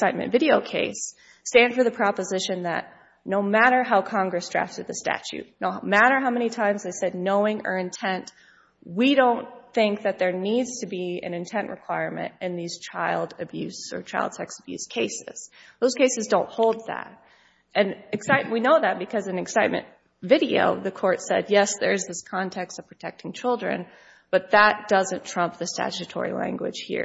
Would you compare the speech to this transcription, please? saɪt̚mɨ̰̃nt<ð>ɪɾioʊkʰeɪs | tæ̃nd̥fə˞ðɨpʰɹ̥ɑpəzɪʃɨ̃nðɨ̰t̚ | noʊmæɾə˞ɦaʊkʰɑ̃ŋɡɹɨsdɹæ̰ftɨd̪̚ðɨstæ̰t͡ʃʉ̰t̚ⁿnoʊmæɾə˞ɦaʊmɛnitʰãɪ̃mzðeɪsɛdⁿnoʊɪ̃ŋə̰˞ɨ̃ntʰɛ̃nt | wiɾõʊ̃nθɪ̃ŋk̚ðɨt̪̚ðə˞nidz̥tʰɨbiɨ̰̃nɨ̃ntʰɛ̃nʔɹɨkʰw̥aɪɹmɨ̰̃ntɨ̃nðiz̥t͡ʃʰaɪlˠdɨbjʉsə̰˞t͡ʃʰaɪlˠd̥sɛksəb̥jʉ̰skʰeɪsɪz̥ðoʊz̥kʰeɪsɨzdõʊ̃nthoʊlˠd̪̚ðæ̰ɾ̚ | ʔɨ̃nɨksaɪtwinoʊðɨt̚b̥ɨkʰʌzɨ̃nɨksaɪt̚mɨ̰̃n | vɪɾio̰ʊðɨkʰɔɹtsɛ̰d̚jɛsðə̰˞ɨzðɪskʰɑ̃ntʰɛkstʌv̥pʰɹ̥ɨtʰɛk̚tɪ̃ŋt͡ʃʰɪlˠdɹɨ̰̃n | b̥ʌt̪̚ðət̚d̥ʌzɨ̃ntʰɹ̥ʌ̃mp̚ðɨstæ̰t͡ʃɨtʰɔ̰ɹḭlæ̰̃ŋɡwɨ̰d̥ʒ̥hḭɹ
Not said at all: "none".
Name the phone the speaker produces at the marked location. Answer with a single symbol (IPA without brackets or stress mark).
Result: v